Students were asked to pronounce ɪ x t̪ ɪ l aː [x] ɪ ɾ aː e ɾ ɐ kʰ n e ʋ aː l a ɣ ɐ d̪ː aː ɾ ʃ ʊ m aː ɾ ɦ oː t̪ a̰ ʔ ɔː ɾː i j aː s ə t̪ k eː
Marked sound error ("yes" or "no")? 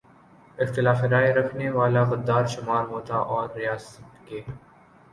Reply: yes